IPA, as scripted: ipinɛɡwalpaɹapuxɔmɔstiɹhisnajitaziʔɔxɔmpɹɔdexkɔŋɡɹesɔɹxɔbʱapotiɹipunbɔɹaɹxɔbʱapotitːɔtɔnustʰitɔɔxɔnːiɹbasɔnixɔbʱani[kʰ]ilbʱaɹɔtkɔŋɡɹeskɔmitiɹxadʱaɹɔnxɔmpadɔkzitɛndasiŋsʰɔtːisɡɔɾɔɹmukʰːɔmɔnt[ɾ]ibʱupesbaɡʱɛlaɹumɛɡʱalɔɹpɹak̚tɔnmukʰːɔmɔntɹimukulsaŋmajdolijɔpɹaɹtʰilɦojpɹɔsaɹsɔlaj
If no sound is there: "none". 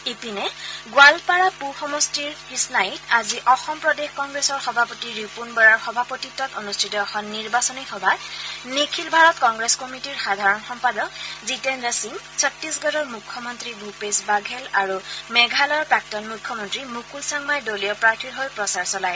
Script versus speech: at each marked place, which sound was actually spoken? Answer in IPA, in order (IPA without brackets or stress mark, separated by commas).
kʰ, ɹ